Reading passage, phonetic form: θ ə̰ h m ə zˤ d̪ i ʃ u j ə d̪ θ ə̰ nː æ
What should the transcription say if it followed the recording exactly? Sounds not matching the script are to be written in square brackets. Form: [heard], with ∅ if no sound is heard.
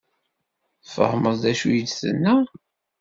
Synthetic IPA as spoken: [f] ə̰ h m ə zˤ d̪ [æ] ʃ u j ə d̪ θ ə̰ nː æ